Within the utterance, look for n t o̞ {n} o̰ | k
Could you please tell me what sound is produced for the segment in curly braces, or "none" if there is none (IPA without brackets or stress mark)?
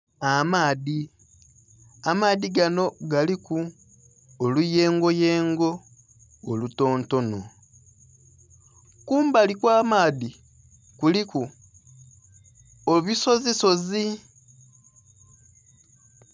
n